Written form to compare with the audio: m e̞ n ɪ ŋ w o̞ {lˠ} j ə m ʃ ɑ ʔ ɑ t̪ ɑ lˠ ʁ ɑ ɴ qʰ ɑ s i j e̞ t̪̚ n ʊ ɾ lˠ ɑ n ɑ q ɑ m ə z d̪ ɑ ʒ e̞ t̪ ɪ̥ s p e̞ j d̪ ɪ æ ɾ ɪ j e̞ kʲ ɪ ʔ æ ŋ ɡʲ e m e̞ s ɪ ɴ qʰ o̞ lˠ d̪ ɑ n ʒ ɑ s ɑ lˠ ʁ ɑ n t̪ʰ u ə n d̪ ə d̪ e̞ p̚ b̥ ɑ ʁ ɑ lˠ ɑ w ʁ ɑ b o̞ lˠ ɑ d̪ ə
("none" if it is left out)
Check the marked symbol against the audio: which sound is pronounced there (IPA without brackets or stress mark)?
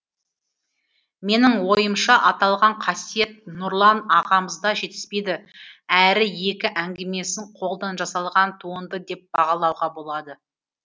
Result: none